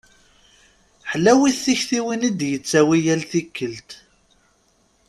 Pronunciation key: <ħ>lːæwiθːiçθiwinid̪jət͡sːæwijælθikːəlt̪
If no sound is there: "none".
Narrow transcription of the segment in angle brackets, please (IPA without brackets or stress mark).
ħ